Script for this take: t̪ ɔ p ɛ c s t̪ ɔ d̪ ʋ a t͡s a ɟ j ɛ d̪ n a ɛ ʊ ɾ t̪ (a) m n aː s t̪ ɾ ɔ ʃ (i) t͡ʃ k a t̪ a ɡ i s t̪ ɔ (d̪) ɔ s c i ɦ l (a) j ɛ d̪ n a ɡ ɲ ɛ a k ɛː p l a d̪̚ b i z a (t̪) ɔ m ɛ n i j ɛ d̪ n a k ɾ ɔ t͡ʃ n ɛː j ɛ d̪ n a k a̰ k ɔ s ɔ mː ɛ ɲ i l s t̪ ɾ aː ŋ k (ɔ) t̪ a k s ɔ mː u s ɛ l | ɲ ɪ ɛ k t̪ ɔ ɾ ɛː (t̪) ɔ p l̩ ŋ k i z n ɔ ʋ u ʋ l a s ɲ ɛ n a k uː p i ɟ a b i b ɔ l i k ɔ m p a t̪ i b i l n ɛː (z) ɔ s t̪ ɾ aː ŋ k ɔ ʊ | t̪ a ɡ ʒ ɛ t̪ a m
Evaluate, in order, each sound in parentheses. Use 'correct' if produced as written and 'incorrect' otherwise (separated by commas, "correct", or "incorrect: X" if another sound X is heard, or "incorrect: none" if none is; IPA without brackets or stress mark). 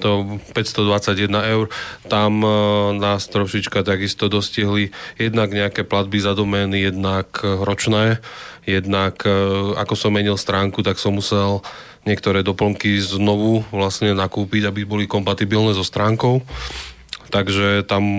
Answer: correct, correct, correct, incorrect: i, incorrect: d̪, incorrect: u, incorrect: d̪, correct